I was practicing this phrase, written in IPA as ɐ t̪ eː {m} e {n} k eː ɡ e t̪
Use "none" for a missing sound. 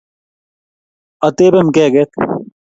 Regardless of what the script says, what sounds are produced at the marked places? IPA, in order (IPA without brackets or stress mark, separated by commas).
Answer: b, m